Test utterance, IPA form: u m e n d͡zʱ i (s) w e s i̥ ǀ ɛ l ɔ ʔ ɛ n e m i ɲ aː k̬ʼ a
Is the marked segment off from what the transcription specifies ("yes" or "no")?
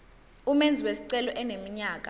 yes